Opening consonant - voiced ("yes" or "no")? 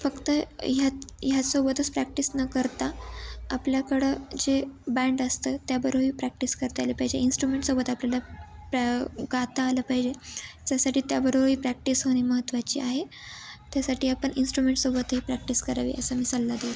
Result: no